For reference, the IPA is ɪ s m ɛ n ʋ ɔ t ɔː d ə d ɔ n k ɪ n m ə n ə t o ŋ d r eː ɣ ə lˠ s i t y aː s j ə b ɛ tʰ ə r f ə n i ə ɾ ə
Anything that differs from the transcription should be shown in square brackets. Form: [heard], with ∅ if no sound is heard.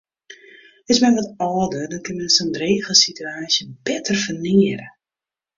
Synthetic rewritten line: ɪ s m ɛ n ʋ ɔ t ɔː d ə d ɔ n k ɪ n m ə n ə [s] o [n] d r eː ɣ ə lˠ s i t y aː s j ə b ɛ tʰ ə r f ə n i ə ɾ ə